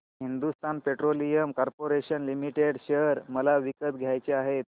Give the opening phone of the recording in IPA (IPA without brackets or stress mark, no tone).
ɦ